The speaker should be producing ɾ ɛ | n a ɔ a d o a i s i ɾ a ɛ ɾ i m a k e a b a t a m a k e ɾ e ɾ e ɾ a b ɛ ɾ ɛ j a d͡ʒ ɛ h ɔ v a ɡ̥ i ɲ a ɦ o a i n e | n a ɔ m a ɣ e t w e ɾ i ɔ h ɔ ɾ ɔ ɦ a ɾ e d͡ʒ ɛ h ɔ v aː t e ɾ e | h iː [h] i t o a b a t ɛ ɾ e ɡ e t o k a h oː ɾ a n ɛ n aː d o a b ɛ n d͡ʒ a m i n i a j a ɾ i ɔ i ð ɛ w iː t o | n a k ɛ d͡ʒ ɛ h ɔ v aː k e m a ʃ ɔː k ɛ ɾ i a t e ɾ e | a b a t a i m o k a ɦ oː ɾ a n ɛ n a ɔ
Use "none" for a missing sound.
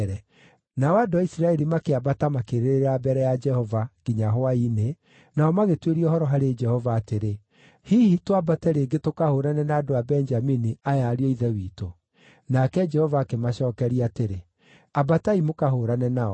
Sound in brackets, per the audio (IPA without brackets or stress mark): h